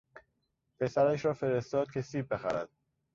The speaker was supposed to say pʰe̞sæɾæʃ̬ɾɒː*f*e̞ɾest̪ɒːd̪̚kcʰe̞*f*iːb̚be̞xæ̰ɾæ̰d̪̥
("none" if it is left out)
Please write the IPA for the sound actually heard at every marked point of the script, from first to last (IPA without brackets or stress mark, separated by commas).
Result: f, s